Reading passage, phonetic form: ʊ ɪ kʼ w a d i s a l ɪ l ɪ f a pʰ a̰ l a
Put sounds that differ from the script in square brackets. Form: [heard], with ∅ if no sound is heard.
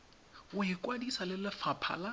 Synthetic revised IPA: ʊ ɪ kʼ w a d i s a l ɪ l ɪ f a pʰ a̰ l a